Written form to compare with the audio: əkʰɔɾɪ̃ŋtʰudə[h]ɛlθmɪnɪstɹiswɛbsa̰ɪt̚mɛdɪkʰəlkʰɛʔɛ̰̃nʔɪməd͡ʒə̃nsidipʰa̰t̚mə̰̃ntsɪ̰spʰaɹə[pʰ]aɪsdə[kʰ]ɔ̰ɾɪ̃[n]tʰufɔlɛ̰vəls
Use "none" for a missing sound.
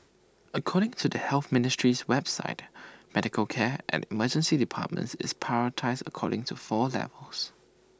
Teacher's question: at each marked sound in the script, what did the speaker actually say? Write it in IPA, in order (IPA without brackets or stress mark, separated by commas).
h, tʰ, kʰ, ŋ